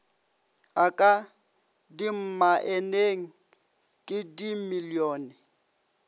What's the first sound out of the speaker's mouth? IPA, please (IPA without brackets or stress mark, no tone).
a